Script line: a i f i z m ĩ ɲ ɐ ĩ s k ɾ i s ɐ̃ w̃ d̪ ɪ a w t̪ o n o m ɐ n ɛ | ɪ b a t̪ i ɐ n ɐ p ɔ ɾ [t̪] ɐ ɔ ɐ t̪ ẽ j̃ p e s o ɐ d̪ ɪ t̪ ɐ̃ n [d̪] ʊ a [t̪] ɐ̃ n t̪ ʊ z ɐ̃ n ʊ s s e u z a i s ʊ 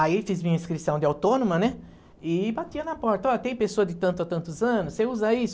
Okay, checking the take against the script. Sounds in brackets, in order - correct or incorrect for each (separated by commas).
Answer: correct, incorrect, correct